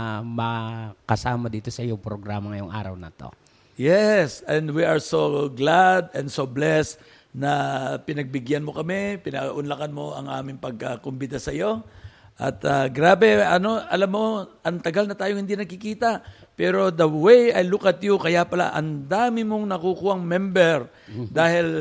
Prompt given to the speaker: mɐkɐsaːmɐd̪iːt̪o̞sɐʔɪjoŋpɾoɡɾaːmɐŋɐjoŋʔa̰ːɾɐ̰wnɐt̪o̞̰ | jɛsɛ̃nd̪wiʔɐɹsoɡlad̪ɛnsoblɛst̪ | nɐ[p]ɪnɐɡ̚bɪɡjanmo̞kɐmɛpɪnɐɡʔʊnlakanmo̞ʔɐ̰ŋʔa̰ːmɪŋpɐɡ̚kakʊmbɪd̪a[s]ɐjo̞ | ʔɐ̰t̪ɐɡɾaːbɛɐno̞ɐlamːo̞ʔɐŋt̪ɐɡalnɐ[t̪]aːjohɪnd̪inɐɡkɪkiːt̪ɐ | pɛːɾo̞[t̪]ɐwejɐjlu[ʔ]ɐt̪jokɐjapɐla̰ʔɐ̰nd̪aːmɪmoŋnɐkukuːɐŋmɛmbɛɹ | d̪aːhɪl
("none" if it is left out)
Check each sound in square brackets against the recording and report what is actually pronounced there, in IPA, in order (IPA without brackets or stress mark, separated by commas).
p, s, t̪, d̪, k